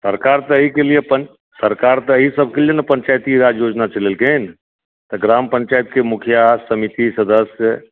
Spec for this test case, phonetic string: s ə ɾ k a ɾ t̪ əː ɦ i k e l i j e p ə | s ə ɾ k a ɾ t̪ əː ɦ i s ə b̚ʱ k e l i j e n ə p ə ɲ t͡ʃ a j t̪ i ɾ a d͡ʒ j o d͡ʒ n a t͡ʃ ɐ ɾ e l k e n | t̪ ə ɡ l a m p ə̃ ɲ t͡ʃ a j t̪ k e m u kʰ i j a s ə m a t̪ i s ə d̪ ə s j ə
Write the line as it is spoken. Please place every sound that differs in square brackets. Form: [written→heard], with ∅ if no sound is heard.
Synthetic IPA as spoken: s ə ɾ k a ɾ t̪ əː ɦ i k e l i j e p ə | s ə ɾ k a ɾ t̪ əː ɦ i s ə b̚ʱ k e l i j e n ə p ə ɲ t͡ʃ a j t̪ i ɾ a d͡ʒ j o d͡ʒ n a t͡ʃ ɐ [ɾ→l] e l k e n | t̪ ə ɡ [l→ɾ] a m p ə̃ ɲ t͡ʃ a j t̪ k e m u kʰ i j a s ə m [a→i] t̪ i s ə d̪ ə s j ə